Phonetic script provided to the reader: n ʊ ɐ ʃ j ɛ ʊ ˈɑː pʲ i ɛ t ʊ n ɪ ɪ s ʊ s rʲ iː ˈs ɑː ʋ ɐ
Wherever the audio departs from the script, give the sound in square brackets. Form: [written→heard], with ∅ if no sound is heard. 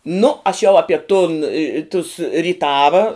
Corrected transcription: n ʊ ɐ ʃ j ɛ ʊ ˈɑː pʲ i ɛ t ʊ n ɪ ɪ [s→t] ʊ s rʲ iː [ˈs→ˈt] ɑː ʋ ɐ